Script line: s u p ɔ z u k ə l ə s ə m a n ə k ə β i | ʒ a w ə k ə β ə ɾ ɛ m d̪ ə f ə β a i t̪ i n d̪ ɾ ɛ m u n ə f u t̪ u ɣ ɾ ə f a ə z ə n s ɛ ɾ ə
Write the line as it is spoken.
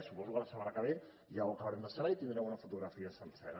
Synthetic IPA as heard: s u p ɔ z u k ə l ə s ə m a n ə k ə β e | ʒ a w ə k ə β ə ɾ ɛ m d̪ ə s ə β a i t̪ i n d̪ ɾ ɛ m u n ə f u t̪ u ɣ ɾ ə f i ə s ə n s ɛ ɾ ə